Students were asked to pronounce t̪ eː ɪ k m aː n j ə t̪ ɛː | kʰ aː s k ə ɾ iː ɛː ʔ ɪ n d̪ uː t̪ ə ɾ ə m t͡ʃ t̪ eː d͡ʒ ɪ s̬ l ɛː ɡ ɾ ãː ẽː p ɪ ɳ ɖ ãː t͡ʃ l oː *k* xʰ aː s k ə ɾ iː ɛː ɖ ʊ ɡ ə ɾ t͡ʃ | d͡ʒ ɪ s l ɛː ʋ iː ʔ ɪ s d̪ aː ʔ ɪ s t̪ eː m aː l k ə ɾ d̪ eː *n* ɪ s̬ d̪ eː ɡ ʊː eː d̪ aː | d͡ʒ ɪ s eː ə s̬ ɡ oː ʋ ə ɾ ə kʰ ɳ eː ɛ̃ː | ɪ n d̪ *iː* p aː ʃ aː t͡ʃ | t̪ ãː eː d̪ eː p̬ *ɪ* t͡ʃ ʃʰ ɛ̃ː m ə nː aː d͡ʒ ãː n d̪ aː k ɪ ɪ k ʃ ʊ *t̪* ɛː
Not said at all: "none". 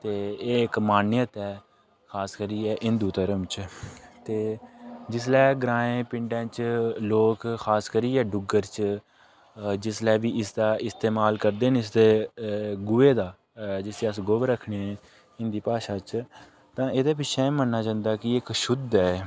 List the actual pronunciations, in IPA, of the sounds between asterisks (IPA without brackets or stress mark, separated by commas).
k, n, iː, ɪ, d̪